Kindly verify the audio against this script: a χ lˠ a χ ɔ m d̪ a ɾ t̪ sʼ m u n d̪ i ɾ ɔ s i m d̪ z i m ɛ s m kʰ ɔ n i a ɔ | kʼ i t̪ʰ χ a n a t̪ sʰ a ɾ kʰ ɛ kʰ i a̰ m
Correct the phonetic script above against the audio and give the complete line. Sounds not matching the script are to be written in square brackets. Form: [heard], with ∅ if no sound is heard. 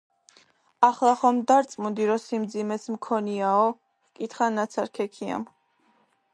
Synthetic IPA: a χ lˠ a χ ɔ m d̪ a ɾ t̪ sʼ m u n d̪ i ɾ ɔ s i m d̪ z i m ɛ s m kʰ ɔ n i a ɔ | kʼ i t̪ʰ χ a n a t̪ sʰ a ɾ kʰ ɛ kʰ i a̰ m